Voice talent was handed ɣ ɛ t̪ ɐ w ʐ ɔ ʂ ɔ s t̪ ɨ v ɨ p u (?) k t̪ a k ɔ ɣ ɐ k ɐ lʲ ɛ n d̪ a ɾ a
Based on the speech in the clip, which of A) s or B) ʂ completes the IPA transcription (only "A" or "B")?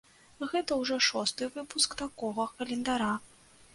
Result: A